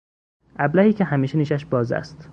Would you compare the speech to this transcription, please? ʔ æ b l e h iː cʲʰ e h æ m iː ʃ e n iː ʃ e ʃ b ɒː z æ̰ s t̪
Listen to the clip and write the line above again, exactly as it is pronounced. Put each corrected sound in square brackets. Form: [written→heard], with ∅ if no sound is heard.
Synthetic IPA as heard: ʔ æ b l [e→æ] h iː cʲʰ e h æ m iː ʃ e n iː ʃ [e→æ] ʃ b ɒː z æ̰ s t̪